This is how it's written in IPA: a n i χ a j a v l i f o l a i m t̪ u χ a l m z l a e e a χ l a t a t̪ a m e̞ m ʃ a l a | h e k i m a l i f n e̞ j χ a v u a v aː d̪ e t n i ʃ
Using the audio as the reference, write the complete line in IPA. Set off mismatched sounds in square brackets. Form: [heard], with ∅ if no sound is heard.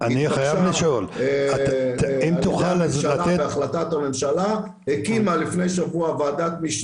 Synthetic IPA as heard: a n i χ a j a v l i [ʃ] o l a i m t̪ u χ a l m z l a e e a χ l a t a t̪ a m e̞ m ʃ a l a | h e k i m a l i f n e̞ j [ʃ] a v u a v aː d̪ [a] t [m] i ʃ